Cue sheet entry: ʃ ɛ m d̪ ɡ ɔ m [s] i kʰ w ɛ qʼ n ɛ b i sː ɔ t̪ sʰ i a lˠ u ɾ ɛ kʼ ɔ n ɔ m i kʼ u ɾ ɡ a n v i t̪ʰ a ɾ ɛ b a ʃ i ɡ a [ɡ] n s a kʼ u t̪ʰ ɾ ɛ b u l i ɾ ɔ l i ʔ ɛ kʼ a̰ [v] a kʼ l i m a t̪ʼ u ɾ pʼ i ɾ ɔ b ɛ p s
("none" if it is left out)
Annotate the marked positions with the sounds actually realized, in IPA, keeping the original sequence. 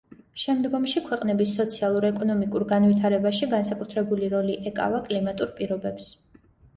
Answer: ʃ, none, v

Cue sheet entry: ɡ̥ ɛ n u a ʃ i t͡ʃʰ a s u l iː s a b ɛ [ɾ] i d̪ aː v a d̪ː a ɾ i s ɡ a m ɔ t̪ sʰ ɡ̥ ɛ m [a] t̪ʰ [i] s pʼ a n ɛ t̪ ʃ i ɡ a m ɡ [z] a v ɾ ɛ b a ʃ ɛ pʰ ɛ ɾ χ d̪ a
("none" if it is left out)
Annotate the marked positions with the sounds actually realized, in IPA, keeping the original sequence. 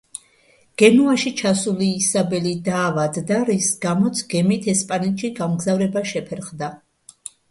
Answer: l, i, ɛ, z

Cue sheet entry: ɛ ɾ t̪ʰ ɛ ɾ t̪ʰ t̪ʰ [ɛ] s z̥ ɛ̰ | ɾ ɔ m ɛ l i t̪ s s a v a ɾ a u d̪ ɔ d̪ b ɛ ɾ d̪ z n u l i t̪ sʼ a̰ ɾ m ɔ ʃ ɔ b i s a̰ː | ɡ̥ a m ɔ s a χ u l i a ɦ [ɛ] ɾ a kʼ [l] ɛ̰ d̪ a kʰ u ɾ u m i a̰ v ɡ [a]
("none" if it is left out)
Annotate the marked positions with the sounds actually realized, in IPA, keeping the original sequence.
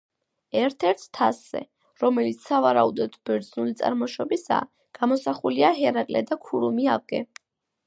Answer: a, ɛ, l, ɛ

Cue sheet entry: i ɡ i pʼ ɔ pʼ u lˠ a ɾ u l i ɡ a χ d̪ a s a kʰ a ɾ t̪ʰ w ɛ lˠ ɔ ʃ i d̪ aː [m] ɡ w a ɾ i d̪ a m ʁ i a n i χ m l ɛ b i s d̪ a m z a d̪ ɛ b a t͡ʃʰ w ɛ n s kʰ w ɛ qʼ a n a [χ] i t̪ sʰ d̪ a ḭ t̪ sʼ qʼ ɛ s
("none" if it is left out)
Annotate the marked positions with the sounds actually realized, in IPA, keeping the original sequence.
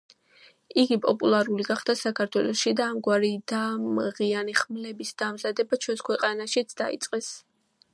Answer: m, ʃ

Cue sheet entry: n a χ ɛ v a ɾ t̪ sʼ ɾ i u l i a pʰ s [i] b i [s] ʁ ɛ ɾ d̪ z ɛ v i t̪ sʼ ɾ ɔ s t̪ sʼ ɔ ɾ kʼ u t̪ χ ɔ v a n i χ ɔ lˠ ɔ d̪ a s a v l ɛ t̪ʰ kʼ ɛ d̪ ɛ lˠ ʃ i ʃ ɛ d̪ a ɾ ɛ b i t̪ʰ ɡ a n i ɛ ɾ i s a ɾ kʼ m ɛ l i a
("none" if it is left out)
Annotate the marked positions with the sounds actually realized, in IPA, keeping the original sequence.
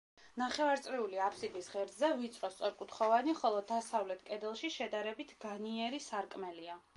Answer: i, s

